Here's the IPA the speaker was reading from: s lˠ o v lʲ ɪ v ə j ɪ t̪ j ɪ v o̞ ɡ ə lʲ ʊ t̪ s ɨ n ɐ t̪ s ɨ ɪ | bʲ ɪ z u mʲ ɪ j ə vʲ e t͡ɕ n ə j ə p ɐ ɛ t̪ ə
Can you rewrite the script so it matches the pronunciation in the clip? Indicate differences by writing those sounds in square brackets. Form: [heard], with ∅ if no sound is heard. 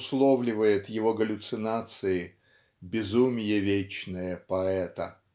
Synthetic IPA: s lˠ o v lʲ ɪ v ə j ɪ t̪ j ɪ v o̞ ɡ ə lʲ ʊ t̪ s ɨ n [a] t̪ s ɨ ɪ | bʲ ɪ z u mʲ ɪ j ə vʲ e t͡ɕ n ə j ə p ɐ ɛ t̪ ə